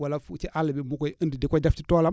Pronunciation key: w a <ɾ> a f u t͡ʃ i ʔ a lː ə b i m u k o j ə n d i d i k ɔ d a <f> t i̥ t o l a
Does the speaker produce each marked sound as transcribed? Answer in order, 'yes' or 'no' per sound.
no, yes

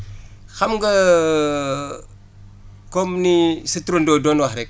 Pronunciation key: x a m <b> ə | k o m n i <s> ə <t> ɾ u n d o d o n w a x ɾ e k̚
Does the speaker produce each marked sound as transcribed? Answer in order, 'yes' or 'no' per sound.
no, yes, yes

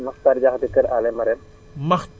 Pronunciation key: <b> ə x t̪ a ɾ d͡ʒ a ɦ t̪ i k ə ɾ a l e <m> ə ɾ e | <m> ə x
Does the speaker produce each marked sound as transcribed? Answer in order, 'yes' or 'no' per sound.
no, yes, yes

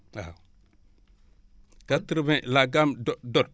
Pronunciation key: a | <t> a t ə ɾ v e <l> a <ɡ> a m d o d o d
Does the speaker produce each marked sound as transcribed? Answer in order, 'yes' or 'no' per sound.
no, yes, yes

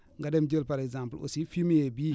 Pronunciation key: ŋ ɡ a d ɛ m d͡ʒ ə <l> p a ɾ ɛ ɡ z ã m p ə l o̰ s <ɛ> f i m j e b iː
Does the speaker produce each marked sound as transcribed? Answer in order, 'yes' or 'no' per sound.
yes, no

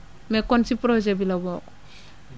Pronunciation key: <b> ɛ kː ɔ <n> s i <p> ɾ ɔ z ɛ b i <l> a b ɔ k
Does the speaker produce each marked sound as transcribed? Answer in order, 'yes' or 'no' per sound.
no, yes, yes, yes

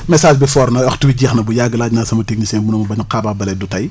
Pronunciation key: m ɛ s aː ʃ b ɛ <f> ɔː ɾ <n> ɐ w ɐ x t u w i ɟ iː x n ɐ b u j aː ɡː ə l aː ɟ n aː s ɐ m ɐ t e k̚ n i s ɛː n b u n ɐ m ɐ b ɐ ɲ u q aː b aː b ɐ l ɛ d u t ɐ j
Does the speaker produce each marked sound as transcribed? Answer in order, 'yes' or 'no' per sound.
yes, yes

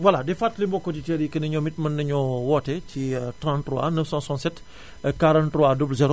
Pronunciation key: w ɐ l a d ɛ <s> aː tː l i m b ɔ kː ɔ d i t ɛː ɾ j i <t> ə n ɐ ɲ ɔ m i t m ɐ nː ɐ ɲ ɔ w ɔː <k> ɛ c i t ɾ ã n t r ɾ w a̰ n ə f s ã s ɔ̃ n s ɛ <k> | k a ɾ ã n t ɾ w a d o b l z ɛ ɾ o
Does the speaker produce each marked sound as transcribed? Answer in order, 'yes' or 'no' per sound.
no, no, no, no

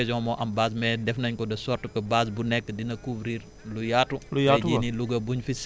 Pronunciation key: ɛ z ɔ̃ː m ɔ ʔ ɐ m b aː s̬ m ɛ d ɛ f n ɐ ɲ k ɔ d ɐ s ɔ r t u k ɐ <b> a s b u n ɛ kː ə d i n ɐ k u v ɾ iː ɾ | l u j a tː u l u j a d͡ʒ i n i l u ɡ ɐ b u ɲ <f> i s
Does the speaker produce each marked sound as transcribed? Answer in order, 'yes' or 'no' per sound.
yes, yes

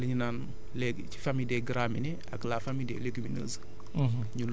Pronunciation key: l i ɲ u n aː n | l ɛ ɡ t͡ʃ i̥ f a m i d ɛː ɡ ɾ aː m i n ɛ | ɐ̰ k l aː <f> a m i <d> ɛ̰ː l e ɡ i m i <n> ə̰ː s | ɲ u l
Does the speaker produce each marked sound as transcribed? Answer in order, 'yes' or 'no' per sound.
yes, yes, yes

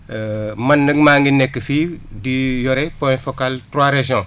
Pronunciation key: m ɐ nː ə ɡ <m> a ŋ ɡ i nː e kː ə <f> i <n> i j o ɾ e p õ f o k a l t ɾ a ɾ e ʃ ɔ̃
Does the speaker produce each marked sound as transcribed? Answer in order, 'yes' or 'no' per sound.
yes, yes, no

